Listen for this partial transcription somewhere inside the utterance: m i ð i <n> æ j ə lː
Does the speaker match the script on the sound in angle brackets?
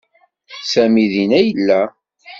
yes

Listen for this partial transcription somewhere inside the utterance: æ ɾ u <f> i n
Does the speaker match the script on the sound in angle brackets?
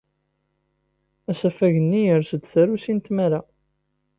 no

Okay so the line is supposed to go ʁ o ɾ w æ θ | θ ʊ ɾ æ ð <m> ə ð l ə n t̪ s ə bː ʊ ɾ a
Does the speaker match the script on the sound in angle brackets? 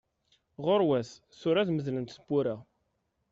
yes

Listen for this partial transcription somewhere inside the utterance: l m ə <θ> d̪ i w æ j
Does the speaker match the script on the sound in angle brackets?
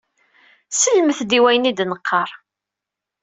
yes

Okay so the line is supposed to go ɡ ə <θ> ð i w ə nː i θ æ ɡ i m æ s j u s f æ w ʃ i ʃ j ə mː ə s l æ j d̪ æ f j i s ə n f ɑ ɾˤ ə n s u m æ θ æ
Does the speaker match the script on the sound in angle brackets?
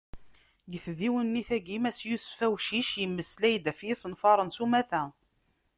yes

